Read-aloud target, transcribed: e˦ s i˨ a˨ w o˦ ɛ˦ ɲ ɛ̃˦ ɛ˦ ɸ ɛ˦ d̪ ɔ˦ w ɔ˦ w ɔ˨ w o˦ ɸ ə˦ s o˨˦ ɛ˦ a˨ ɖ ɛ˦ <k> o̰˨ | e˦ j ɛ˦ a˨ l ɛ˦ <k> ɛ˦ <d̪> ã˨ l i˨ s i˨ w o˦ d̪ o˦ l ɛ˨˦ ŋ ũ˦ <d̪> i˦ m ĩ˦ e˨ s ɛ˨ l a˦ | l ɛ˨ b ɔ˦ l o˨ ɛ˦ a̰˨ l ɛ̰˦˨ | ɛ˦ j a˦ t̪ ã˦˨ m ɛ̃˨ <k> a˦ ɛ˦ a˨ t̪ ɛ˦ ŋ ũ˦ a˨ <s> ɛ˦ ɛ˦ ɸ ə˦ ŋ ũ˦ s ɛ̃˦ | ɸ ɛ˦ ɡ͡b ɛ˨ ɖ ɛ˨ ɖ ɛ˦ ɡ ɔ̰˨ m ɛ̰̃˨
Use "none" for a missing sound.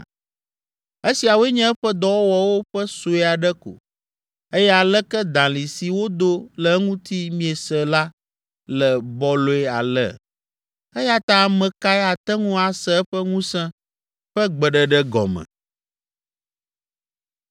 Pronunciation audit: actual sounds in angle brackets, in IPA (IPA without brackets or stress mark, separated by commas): k, k, d̪, t̪, k, s